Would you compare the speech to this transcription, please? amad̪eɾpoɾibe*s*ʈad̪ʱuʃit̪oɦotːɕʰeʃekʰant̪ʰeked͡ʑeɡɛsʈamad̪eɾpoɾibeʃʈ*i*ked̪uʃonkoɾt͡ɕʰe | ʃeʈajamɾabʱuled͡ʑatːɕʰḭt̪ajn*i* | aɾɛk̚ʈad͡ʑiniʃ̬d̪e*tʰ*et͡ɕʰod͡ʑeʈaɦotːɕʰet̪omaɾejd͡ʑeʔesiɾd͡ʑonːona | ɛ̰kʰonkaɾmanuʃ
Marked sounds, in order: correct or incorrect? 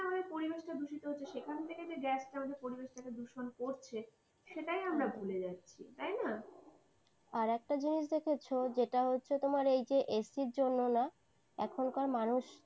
incorrect: ʃ, incorrect: a, incorrect: a, incorrect: kʰ

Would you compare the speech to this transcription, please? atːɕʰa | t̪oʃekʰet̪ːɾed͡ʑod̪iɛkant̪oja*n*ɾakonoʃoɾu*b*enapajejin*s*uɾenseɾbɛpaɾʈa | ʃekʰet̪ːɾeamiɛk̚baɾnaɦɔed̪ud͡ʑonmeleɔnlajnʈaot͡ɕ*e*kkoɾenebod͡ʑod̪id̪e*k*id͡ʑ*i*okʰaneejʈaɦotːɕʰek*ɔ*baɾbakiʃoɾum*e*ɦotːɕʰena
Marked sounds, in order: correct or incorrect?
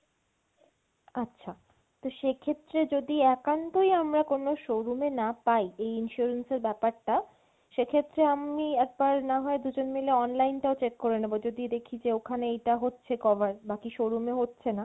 incorrect: m, incorrect: m, incorrect: ʃ, correct, incorrect: kʰ, incorrect: e, correct, correct

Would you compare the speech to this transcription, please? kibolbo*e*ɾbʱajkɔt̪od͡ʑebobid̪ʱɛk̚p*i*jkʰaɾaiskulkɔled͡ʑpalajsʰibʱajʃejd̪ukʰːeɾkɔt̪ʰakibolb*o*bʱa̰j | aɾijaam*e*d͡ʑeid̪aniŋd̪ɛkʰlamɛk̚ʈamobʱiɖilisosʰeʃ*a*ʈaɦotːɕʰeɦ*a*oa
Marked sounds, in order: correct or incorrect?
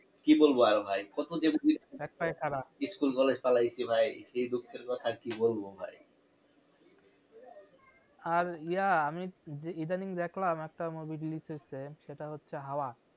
incorrect: a, incorrect: a, correct, incorrect: i, incorrect: e, correct

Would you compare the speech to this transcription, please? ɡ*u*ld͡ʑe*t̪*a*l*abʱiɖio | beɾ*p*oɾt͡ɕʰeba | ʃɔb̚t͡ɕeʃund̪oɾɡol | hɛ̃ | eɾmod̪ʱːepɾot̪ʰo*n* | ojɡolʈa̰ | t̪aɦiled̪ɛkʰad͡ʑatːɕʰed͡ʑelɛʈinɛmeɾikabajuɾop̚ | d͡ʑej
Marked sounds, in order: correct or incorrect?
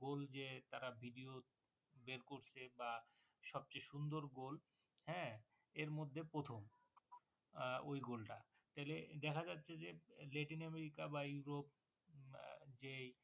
incorrect: o, correct, incorrect: ɾ, incorrect: k, incorrect: m

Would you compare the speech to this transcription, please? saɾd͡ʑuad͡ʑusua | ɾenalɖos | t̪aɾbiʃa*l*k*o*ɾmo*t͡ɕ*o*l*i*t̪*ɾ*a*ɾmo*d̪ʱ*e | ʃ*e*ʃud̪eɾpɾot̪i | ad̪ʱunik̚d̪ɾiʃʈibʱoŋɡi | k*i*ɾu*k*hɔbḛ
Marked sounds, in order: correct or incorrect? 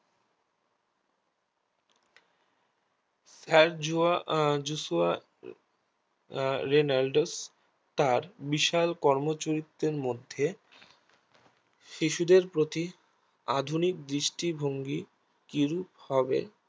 correct, incorrect: ɔ, correct, incorrect: ɾ, correct, incorrect: e, incorrect: d̪ʱː, incorrect: i, correct, incorrect: p

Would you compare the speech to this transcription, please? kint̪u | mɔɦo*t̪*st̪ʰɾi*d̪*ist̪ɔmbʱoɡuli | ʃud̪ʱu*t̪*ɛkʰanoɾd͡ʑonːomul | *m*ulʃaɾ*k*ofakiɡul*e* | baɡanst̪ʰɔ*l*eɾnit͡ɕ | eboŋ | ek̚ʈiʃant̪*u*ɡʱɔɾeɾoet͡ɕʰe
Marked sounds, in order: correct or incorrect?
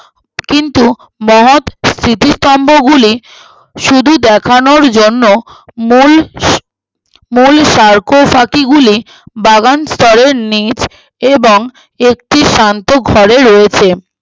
correct, incorrect: t̪, incorrect: d̪, correct, correct, incorrect: i, incorrect: ɾ, incorrect: o

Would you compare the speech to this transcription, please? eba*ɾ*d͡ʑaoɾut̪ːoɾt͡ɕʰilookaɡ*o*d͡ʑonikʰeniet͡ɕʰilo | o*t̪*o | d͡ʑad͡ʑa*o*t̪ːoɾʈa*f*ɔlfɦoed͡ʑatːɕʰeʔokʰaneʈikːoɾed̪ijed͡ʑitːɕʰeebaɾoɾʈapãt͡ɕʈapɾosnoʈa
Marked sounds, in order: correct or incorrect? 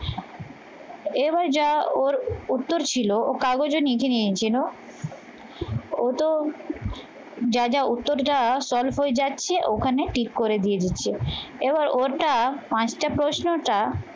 correct, correct, correct, incorrect: u, incorrect: s

